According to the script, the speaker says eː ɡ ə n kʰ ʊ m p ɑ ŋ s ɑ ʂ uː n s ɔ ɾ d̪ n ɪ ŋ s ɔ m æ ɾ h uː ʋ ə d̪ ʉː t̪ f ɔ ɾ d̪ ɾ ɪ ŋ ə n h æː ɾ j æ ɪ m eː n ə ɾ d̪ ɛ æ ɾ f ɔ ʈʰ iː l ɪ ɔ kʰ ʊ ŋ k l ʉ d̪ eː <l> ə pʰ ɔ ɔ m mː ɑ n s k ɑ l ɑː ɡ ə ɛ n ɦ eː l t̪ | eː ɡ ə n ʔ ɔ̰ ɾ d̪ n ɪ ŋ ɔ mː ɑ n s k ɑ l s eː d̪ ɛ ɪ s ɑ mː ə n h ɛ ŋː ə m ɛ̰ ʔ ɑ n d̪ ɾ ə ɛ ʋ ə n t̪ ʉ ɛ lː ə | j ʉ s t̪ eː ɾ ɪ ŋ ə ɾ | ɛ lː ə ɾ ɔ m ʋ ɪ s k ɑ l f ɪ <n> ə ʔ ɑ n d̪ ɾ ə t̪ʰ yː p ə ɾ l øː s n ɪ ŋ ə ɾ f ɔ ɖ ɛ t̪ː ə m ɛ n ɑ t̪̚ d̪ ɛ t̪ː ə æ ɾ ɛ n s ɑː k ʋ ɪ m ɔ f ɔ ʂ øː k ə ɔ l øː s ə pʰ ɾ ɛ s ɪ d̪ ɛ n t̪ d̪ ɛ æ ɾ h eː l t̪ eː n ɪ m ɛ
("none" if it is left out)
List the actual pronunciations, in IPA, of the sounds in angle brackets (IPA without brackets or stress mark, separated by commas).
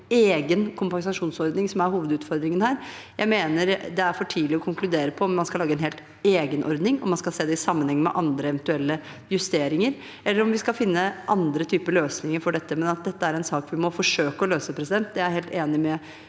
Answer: ɾ, nː